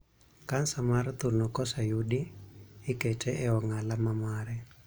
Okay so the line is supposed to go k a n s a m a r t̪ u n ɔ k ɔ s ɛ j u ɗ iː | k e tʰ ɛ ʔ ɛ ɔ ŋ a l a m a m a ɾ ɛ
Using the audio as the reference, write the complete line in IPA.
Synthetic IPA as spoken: k a n s a m a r t̪ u n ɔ k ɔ s a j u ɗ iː | k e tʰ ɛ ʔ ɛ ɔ ŋ a l a m a m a ɾ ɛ